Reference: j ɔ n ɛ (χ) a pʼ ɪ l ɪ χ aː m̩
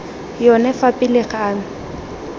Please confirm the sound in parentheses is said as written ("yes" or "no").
no